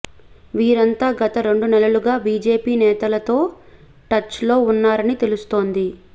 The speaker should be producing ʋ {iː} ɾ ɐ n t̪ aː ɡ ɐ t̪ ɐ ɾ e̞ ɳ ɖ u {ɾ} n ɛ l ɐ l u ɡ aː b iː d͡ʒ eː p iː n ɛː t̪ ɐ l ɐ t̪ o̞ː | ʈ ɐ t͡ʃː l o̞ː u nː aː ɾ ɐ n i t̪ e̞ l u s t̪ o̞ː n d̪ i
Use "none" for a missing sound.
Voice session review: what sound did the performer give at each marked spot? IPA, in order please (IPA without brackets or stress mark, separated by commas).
iː, none